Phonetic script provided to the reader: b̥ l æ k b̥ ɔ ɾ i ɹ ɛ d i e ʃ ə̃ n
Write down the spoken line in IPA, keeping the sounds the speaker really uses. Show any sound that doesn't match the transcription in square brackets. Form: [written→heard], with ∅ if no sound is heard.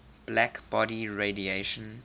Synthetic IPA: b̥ l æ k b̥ ɔ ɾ i ɹ [ɛ→e] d i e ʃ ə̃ n